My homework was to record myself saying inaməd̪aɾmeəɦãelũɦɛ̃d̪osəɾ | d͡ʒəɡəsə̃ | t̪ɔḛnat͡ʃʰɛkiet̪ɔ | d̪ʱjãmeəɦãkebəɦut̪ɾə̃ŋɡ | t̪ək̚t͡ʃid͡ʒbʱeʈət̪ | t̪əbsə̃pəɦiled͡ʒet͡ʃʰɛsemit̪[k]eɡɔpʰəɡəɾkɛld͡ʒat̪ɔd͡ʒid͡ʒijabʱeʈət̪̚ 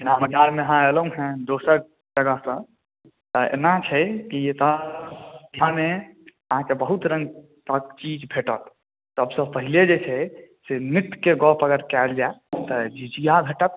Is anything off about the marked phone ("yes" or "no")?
no